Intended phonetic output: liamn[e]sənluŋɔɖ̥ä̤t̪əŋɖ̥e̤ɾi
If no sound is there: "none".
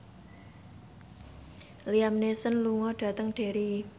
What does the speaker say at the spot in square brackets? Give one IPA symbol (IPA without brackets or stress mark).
e